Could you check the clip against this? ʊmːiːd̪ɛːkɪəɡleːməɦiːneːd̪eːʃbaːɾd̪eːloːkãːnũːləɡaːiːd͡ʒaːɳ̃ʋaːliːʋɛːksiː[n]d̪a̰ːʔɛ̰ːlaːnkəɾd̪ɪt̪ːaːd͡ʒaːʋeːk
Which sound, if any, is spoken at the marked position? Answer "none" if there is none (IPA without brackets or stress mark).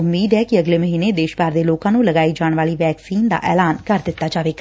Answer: n